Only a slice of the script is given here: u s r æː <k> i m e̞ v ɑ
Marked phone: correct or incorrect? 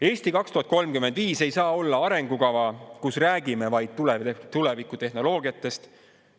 incorrect